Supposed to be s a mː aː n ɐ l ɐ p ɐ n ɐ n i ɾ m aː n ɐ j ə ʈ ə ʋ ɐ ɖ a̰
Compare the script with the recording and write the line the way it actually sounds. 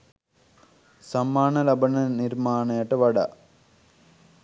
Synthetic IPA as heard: s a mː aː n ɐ l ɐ b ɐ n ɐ n i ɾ m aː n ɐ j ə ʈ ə ʋ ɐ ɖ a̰